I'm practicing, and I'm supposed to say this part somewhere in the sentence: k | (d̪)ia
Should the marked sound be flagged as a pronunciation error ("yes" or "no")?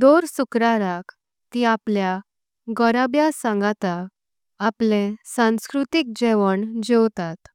yes